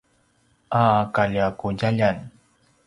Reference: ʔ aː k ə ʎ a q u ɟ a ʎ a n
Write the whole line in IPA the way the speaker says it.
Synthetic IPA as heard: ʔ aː k a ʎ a k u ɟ a ʎ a n